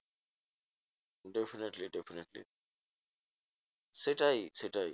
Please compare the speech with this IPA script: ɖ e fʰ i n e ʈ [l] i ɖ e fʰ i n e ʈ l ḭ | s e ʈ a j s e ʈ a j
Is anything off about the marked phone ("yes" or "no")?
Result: no